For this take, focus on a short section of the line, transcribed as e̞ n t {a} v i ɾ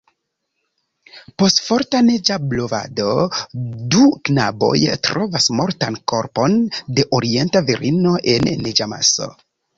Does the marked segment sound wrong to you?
no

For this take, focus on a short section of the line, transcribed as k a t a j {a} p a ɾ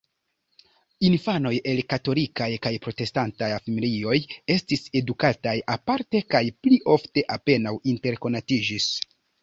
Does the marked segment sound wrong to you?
no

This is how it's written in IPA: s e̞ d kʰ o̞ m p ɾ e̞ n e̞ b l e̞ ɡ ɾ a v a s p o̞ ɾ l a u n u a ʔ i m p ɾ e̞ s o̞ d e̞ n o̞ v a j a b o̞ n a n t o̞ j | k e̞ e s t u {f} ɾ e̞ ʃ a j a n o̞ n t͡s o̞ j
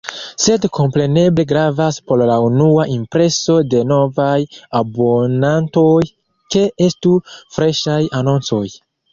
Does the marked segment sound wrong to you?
no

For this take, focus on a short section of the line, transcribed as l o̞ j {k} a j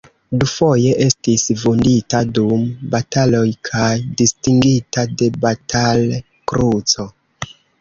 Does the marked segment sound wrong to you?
yes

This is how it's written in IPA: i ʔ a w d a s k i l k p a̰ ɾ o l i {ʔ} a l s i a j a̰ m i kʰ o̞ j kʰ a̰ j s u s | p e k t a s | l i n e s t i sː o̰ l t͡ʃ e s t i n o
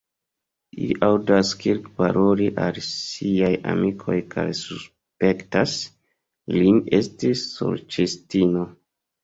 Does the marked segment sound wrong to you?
no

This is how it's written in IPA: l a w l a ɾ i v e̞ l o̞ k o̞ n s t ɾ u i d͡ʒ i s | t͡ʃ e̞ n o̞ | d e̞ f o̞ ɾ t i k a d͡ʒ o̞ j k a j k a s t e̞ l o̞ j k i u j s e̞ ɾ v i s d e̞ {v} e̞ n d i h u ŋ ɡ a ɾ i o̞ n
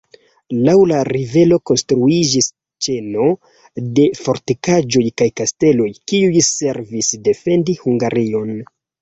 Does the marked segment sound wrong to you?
yes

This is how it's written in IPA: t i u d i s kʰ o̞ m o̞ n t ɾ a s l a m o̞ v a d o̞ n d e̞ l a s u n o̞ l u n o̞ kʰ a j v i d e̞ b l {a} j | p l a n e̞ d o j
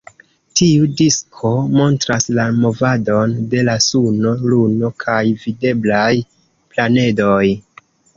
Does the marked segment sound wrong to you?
no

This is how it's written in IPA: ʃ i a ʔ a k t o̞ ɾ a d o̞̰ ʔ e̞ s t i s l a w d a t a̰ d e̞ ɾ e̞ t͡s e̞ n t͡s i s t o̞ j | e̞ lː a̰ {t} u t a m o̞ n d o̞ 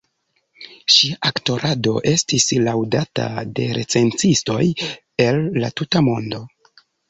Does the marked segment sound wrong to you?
no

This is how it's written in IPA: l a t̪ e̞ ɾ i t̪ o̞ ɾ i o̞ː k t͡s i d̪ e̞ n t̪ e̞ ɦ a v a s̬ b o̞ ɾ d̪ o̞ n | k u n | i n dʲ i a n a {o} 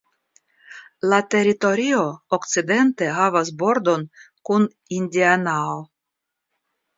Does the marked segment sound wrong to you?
no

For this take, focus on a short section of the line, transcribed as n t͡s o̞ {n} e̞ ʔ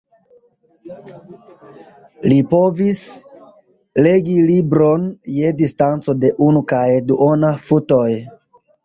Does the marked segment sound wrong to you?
yes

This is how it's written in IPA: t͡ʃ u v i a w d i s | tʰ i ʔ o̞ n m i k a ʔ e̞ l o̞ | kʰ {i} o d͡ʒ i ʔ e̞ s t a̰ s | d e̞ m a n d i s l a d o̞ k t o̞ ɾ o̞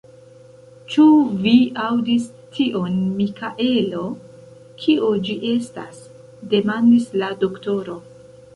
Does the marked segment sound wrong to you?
no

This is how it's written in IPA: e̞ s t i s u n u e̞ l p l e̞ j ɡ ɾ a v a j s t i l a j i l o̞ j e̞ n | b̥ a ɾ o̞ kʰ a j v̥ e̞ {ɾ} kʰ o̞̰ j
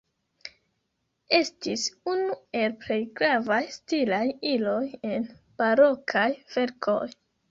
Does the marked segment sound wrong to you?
no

